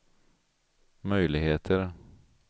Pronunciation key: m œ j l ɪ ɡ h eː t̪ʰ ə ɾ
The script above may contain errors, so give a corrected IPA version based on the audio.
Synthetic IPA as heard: m œ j l ɪ ɡ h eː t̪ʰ ə ɾ